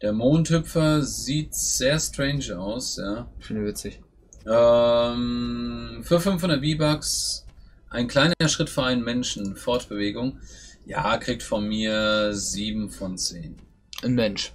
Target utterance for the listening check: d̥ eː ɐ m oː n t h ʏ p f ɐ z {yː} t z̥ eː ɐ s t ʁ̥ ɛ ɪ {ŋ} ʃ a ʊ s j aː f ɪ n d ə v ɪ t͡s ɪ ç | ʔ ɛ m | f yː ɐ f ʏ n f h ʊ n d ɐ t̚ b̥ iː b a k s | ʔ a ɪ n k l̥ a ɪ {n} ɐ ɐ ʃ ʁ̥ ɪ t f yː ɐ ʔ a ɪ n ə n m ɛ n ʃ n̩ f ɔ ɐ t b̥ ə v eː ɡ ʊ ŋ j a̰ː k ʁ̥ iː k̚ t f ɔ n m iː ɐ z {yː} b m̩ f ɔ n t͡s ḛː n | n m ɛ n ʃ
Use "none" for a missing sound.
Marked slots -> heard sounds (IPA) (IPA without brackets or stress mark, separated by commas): iː, n, n, iː